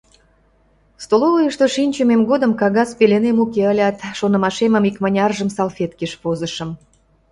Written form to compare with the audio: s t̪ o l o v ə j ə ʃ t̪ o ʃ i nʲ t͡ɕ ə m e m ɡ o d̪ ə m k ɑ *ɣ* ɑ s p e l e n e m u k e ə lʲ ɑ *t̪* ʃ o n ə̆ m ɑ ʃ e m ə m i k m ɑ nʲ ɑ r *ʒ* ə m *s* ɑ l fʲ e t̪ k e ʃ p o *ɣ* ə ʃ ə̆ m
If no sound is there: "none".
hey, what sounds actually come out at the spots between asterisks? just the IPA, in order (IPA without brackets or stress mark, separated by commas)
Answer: ɣ, t̪, ʒ, s, z